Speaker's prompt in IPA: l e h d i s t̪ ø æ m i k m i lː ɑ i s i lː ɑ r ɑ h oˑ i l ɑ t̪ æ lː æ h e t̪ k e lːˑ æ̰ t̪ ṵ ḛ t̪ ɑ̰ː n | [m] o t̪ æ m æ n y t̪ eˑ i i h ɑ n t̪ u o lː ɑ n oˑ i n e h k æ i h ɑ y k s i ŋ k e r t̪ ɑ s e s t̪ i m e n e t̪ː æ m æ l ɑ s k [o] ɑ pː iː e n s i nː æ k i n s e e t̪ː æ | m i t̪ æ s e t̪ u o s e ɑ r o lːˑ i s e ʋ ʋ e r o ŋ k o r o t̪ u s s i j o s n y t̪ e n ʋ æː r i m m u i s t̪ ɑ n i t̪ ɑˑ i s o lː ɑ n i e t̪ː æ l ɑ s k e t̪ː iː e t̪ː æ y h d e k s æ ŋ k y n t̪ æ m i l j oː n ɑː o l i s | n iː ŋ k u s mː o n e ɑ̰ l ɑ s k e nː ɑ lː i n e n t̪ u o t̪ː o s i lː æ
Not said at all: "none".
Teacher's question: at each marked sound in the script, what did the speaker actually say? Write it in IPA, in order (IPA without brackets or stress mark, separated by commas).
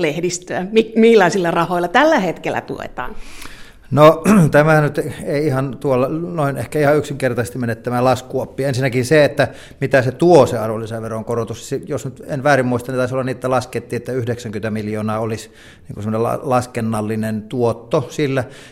n, u